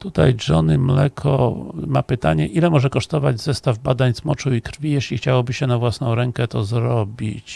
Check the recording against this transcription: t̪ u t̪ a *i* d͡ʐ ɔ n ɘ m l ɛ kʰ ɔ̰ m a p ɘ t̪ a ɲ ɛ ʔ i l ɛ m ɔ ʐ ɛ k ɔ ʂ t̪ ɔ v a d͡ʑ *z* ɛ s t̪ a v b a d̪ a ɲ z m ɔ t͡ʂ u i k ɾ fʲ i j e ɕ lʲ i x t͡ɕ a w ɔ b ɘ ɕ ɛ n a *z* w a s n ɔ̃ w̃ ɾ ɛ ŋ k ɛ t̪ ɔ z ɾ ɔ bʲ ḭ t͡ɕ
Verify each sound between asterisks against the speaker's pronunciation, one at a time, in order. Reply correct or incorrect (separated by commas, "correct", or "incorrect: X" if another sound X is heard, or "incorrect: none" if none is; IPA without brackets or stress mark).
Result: incorrect: j, correct, incorrect: v